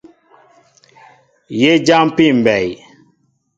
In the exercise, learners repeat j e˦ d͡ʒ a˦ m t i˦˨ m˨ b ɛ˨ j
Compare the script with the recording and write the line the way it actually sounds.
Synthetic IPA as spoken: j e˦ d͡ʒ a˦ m p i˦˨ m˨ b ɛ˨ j

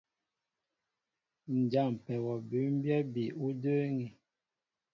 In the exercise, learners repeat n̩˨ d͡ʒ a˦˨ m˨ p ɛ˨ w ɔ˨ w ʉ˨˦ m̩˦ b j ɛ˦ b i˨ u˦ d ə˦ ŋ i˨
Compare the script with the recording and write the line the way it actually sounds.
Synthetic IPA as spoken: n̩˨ d͡ʒ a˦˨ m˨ p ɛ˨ w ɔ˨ b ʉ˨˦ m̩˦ b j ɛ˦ b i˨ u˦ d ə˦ ŋ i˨

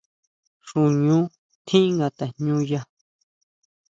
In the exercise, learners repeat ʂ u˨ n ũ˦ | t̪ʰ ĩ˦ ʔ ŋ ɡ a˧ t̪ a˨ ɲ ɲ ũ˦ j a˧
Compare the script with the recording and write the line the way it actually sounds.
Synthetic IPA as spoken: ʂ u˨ ɲ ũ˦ | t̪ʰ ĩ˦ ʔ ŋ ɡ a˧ t̪ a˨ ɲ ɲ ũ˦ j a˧

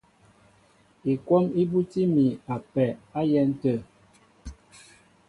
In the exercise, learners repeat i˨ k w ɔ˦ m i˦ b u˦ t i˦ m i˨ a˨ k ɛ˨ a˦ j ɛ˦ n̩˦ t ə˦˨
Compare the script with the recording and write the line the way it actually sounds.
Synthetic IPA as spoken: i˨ k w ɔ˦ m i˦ b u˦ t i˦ m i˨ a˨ p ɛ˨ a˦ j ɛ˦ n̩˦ t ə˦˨

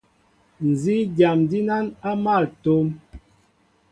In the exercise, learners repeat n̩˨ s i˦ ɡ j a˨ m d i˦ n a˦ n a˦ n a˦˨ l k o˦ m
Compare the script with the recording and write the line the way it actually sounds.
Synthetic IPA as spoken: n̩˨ z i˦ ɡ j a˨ m d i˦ n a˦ n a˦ m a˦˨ l t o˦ m

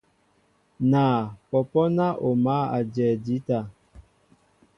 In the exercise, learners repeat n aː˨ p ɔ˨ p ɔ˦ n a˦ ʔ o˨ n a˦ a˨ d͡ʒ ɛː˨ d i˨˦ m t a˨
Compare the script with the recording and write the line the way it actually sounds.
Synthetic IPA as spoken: n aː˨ p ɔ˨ p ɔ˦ n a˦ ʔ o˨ m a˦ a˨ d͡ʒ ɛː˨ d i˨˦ t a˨

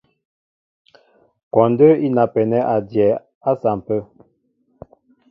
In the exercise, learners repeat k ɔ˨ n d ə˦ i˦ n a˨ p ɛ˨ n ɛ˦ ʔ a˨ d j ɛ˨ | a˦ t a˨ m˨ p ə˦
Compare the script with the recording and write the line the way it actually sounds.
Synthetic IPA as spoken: k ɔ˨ n d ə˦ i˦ n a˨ p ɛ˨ n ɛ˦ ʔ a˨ d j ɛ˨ | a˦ s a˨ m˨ p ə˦

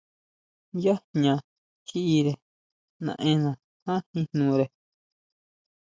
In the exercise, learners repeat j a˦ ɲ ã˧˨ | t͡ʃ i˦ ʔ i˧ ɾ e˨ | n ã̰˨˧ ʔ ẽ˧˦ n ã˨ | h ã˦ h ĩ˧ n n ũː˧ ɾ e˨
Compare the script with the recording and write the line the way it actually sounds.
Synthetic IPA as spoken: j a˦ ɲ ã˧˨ | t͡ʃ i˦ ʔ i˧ ɾ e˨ | n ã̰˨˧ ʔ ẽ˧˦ n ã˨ | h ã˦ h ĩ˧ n n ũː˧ ɾ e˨

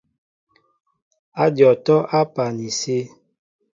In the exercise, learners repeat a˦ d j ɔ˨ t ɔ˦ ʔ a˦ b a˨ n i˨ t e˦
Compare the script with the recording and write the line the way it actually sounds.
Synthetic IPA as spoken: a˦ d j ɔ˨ t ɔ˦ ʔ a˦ p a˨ n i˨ s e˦

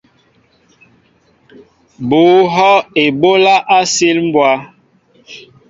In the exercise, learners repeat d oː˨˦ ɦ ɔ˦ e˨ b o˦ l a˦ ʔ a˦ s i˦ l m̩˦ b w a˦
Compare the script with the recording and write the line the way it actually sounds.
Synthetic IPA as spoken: b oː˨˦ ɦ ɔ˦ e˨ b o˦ l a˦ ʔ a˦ s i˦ l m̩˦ b w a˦

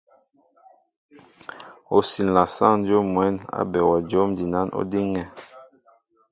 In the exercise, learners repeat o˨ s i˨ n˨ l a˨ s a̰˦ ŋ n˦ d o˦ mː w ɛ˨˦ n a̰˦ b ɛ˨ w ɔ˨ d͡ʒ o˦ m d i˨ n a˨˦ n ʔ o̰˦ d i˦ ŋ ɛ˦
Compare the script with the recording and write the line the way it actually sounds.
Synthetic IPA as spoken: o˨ s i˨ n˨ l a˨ s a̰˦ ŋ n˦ d͡ʒ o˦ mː w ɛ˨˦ n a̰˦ b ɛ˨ w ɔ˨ d͡ʒ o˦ m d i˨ n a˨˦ n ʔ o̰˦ d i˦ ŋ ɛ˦

